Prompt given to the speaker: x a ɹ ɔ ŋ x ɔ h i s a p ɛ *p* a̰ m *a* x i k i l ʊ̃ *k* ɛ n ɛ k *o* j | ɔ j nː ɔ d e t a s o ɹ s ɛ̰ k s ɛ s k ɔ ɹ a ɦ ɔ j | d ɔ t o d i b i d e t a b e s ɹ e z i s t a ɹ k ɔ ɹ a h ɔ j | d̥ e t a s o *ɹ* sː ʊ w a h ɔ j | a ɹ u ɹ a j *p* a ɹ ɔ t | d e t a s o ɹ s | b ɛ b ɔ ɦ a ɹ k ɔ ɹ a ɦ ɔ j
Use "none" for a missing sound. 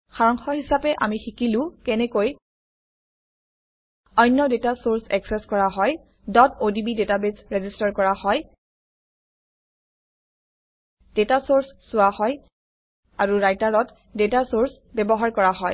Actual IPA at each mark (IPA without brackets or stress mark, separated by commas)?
ʔ, i, k, o, ɹ, t